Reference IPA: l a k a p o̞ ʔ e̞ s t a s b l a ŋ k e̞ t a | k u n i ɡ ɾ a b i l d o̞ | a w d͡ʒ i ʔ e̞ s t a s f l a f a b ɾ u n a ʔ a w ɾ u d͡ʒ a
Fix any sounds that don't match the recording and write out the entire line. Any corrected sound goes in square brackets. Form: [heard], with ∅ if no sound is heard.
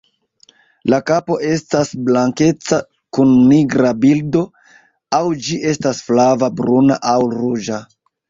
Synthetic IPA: l a k a p o̞ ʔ e̞ s t a s b l a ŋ k e̞ [t͡s] a | k u [nː] i ɡ ɾ a b i l d o̞ | a w d͡ʒ i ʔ e̞ s t a s f l a [v] a b ɾ u n a ʔ a w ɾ u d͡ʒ a